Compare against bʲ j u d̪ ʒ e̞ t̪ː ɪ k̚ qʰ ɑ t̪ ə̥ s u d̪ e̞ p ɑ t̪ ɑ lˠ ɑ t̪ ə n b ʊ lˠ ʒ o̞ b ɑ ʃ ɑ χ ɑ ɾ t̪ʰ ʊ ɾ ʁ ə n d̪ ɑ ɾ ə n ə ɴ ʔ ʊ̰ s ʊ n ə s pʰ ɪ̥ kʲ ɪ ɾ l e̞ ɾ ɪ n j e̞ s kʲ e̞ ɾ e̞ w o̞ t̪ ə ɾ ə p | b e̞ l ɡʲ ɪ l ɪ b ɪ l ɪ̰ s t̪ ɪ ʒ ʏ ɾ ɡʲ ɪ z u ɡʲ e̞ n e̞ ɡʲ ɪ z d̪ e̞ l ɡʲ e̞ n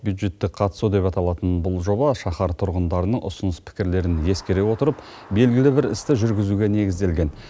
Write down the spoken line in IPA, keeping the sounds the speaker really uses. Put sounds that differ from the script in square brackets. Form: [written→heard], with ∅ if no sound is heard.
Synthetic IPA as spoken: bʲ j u d̪ ʒ e̞ t̪ː ɪ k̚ qʰ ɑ t̪ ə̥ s u d̪ e̞ p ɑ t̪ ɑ lˠ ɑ t̪ ə n b ʊ lˠ ʒ o̞ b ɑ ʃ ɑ χ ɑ ɾ t̪ʰ ʊ ɾ ʁ ə n d̪ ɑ ɾ ə n ə ɴ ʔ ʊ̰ s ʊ n ə s pʰ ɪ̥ kʲ ɪ ɾ l e̞ ɾ ɪ n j e̞ s kʲ e̞ ɾ e̞ w o̞ t̪ ə ɾ ə p | b e̞ l ɡʲ ɪ l ɪ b ɪ [l→ɾ] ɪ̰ s t̪ ɪ ʒ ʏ ɾ ɡʲ ɪ z u ɡʲ e̞ n e̞ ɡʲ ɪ z d̪ e̞ l ɡʲ e̞ n

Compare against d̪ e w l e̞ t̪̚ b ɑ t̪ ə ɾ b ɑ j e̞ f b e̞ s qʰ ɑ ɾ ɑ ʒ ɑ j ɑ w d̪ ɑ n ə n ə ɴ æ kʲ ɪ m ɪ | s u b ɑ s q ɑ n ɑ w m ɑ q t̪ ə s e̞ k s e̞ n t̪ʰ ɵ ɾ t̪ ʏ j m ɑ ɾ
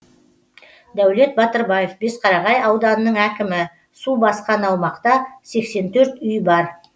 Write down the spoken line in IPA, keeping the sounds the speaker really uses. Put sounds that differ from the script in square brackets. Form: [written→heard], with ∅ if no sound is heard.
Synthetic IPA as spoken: d̪ [e→æ] w l e̞ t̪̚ b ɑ t̪ ə ɾ b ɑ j e̞ f b e̞ s qʰ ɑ ɾ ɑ [ʒ→ʁ] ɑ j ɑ w d̪ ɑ n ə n ə ɴ æ kʲ ɪ m ɪ | s u b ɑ s q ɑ n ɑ w m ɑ q t̪ [ə→ɑ] s e̞ k s e̞ n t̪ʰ ɵ ɾ t̪ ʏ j [m→b] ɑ ɾ

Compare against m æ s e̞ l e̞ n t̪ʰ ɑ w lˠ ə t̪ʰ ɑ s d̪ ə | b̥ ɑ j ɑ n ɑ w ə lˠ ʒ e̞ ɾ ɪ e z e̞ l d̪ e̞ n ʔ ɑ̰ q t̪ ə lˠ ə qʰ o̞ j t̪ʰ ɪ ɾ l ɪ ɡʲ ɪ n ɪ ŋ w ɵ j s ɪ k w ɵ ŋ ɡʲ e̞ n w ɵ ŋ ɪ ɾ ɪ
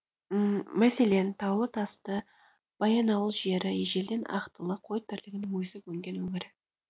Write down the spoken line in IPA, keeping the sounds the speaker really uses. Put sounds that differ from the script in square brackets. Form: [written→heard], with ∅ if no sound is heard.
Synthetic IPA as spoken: m æ s e̞ l e̞ n t̪ʰ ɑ w lˠ ə t̪ʰ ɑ s [d̪→t̪] ə | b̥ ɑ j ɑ n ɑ w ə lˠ ʒ e̞ ɾ ɪ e [z→ʒ] e̞ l d̪ e̞ n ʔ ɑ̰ q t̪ ə lˠ ə qʰ o̞ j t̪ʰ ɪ ɾ l ɪ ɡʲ ɪ n ɪ ŋ w ɵ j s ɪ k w ɵ ŋ ɡʲ e̞ n w ɵ ŋ ɪ ɾ ɪ

